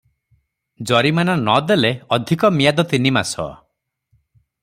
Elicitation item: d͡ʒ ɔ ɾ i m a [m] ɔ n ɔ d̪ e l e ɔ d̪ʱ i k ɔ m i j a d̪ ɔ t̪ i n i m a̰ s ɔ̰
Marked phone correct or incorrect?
incorrect